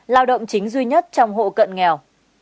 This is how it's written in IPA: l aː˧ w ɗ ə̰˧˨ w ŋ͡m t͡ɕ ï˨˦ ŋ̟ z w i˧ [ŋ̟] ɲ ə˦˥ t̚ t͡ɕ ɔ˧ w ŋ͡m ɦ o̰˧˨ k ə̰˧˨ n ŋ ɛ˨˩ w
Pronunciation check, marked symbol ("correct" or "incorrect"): incorrect